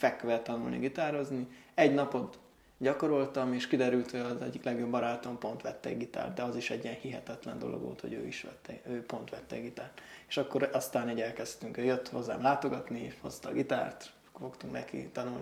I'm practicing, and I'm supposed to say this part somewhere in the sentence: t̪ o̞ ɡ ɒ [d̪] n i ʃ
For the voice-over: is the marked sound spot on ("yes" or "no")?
no